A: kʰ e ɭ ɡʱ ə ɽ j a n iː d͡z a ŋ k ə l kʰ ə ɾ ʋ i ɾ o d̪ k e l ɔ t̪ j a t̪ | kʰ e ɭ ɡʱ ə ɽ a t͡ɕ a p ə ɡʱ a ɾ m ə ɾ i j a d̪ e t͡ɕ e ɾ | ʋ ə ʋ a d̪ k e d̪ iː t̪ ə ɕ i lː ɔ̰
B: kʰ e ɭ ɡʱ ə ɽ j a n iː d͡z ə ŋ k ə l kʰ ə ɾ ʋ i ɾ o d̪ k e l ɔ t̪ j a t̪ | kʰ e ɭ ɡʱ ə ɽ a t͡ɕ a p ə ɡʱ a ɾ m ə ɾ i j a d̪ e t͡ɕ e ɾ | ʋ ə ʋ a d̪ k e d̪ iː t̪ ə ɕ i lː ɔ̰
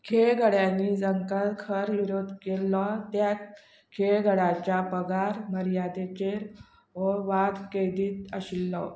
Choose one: B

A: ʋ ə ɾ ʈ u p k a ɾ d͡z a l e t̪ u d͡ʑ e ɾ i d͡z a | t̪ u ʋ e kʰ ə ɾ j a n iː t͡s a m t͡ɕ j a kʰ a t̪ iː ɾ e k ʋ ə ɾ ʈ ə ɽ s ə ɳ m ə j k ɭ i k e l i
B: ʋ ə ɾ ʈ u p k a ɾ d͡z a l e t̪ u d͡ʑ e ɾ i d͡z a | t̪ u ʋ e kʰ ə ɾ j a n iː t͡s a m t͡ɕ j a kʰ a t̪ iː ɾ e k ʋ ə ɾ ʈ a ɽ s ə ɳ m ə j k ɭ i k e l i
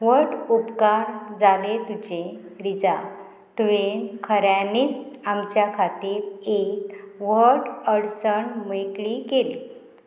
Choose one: A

